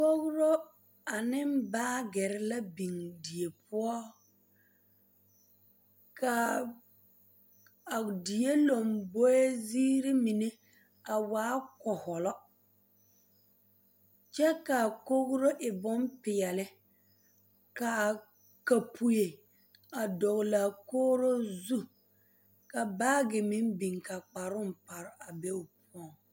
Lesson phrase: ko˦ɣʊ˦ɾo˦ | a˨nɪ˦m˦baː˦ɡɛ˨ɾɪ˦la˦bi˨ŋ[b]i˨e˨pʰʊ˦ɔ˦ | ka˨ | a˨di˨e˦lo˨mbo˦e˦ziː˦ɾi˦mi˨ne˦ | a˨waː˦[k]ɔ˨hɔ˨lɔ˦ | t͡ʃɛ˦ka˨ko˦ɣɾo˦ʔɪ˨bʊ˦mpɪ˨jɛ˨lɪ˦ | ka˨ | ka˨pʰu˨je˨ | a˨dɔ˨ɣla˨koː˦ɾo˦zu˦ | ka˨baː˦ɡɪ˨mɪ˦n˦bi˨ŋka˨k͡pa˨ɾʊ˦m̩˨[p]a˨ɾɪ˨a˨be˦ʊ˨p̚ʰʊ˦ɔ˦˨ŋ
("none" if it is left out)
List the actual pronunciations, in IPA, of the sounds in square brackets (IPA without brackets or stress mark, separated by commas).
d, k, p